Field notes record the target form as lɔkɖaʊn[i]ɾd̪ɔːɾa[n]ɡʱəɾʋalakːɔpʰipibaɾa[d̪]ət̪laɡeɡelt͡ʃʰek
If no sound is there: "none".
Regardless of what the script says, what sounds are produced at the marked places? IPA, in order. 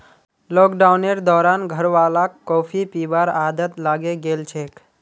e, n, d̪

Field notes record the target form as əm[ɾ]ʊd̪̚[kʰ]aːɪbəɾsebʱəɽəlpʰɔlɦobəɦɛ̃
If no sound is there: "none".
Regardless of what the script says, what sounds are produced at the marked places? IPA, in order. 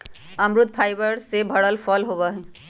ɾ, pʰ

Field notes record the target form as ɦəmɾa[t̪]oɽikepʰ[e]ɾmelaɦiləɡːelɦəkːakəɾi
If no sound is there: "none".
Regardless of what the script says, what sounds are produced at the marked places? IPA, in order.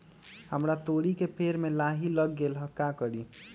t̪, e

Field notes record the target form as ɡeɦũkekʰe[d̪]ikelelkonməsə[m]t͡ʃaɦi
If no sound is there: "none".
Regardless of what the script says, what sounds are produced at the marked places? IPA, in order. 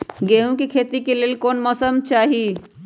t̪, m

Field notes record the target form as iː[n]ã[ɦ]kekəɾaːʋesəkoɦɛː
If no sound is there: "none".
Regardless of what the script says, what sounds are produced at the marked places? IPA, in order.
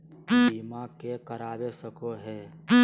m, none

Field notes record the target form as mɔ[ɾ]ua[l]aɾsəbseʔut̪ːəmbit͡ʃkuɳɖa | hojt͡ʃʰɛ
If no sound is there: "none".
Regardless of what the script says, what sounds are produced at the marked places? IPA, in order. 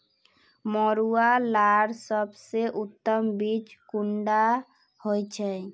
ɾ, l

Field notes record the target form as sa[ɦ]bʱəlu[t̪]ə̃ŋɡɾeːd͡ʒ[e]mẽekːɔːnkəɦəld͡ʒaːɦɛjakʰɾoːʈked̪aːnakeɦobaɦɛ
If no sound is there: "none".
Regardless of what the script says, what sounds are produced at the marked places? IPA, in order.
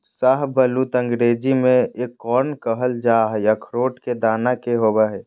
ɦ, t̪, i

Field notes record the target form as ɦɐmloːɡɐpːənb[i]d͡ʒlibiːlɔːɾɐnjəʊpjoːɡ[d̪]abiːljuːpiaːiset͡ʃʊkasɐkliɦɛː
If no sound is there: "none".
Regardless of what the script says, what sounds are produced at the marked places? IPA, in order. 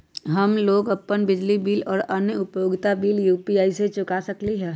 ɪ, t̪

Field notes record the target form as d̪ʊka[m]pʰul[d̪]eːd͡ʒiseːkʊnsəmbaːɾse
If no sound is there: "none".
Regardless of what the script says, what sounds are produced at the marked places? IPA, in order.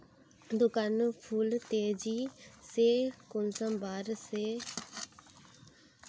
n, t̪

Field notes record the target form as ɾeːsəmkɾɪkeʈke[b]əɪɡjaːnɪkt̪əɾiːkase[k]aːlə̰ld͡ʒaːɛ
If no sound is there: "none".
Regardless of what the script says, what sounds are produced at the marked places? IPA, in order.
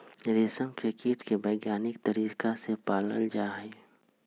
b, p

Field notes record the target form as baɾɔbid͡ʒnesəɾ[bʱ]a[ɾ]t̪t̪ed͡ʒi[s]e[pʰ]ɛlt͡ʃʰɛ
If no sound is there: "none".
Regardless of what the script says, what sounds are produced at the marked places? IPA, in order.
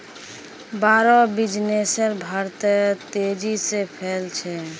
bʱ, ɾ, s, pʰ

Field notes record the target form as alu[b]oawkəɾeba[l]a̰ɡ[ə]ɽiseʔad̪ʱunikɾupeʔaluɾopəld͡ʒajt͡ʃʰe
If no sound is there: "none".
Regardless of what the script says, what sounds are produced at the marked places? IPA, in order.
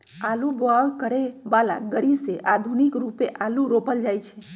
b, l, ə

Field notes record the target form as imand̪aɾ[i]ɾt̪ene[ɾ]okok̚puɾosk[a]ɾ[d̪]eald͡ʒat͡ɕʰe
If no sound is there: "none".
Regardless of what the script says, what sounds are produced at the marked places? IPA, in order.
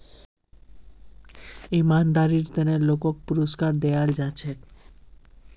i, l, a, d̪

